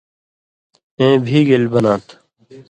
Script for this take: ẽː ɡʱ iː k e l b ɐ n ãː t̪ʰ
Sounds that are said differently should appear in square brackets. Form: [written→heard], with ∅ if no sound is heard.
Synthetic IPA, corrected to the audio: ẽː [ɡʱ→bʱ] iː [k→ɡ] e l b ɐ n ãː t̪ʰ